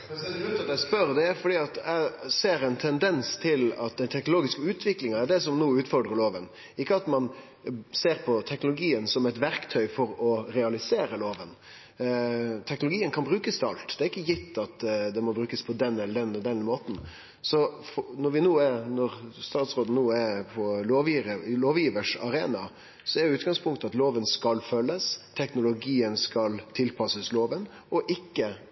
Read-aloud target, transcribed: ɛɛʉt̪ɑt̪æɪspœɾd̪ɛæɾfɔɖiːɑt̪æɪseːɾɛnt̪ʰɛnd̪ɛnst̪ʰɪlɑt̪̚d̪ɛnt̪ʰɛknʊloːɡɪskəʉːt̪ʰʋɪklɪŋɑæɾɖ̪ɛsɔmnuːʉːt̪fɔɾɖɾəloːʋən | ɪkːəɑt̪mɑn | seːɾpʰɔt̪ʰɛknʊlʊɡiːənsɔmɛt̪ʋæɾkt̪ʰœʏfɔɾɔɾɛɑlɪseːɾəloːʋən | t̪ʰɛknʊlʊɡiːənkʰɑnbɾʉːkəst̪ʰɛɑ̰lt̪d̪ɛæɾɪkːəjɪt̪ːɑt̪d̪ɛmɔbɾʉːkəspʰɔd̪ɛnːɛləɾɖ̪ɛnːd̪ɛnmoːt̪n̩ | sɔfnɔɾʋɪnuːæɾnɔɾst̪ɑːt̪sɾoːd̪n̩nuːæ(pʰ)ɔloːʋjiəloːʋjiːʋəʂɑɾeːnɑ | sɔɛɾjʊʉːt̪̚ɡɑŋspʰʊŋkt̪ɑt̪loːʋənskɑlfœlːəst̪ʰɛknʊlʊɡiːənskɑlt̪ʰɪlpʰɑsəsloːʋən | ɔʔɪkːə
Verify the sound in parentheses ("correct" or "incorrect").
correct